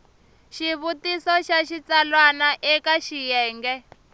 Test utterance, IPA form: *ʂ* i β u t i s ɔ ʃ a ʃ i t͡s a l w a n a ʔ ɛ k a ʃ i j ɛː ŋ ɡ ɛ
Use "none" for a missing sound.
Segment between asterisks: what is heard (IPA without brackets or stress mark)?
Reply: ʃ